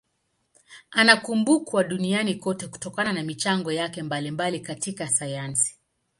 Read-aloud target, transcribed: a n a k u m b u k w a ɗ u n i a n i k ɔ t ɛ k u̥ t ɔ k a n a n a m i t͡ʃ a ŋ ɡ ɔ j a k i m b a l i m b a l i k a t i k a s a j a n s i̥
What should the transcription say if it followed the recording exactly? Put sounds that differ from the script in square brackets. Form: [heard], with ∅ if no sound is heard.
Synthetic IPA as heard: a n a k u m b u k w a ɗ u n i a n i k ɔ t ɛ k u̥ t ɔ k a n a n a m i t͡ʃ a ŋ ɡ ɔ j a k [ɛ] m b a l i m b a l i k a t i k a s a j a n s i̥